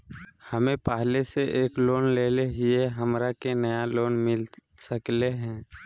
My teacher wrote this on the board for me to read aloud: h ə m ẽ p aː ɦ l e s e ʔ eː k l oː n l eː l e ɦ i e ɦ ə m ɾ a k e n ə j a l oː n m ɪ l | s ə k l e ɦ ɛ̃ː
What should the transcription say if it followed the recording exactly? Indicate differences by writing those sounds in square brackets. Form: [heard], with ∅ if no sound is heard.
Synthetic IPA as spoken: h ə m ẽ p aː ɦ l e s e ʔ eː k l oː n l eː l e ɦ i e ɦ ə m ɾ a k e n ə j a l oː n m ɪ l | s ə k l e ɦ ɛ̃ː